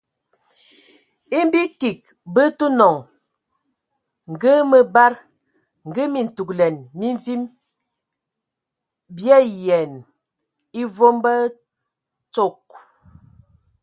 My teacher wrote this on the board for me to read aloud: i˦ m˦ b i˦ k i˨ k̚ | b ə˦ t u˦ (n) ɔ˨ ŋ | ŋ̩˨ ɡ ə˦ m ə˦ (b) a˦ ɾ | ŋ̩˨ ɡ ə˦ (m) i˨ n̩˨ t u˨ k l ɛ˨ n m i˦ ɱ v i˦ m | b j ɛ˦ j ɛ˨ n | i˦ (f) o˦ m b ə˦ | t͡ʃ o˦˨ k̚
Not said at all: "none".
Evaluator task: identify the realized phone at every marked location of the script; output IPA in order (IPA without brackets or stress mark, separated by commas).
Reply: n, b, m, v